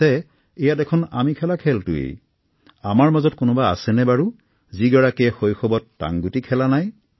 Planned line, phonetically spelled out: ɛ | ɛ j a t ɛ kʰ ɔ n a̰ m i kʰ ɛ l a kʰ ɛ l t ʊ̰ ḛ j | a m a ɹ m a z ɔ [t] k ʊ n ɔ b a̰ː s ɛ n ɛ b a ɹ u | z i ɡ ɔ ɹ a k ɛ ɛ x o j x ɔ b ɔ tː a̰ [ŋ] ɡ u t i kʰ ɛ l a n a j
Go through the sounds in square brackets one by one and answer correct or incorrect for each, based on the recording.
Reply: correct, correct

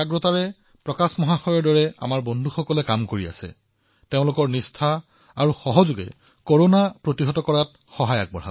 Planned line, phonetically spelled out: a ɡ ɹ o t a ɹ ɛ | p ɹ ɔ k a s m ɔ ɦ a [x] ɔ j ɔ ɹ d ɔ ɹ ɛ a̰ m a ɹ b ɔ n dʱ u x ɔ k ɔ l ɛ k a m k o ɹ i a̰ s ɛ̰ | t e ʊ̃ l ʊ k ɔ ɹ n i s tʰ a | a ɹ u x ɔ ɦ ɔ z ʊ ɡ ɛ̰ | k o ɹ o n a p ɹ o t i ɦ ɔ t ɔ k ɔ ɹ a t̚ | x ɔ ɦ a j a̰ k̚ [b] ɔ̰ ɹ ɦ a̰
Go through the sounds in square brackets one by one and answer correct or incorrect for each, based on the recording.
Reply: correct, correct

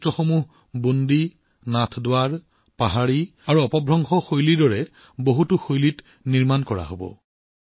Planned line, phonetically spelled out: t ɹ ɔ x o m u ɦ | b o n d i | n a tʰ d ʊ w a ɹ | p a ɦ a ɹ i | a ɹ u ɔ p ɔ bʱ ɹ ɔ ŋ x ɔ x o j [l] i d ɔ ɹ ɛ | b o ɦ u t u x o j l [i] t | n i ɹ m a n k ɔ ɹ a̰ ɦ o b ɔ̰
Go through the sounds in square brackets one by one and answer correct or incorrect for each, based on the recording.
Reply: correct, correct

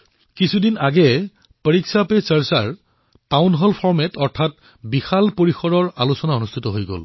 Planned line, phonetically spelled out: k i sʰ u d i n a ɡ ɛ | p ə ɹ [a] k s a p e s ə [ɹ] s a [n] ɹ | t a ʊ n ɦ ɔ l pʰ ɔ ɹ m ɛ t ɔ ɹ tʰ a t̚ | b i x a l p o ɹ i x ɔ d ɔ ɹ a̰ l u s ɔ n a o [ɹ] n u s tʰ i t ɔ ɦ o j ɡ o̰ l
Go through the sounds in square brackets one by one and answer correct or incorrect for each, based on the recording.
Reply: incorrect, correct, incorrect, incorrect

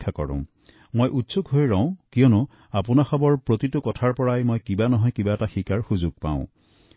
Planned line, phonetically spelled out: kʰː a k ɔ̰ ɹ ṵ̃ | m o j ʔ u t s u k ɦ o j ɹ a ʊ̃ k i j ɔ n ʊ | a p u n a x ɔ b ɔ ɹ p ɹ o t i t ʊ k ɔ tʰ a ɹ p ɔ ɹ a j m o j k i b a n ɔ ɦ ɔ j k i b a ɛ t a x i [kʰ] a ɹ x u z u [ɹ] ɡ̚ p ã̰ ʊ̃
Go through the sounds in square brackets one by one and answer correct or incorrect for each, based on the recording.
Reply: incorrect, incorrect

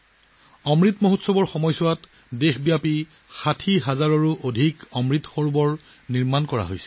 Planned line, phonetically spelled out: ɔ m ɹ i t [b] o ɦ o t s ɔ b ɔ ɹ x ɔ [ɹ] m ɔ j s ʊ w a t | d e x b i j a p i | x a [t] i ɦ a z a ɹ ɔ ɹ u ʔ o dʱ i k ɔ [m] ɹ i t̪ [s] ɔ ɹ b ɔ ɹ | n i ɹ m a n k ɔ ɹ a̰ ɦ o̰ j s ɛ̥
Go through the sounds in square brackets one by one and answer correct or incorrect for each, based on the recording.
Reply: incorrect, incorrect, incorrect, correct, incorrect

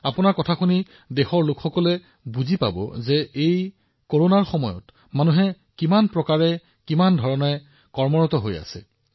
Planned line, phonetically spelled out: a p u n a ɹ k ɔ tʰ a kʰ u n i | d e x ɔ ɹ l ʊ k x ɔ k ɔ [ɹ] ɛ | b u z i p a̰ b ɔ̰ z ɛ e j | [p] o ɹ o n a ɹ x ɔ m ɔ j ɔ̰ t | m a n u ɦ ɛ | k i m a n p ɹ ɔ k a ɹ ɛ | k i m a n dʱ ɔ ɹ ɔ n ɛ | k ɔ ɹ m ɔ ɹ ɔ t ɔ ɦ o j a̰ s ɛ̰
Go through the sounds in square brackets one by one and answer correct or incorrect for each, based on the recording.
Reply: incorrect, incorrect

